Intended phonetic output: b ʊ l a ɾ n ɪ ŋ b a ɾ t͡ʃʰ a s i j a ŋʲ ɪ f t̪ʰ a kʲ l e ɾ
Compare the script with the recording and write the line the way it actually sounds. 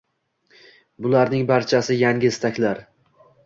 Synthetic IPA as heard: b ʊ l a ɾ n ɪ ŋ b a ɾ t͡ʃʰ a s ɪ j a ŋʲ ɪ s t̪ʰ a kʲ l a ɾ